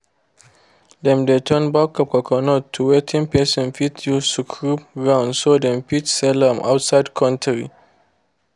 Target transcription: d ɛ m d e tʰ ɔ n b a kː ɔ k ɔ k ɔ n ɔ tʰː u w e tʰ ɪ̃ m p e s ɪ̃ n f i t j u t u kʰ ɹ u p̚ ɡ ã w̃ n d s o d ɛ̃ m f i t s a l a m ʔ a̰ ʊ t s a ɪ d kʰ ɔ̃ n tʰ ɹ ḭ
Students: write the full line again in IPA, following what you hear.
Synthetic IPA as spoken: d ɛ m d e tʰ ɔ n b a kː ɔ k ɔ k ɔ n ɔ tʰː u w e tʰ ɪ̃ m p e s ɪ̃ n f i t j u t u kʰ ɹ u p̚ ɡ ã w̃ n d s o d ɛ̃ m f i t s ɛ l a m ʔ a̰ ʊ t s a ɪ d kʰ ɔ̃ n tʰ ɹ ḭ